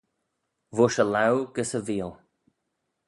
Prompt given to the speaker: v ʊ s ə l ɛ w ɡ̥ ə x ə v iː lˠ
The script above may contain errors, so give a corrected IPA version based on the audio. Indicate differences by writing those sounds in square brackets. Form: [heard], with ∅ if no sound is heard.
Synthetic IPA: v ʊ [ʃ] ə l [a] w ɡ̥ ə [s] ə v iː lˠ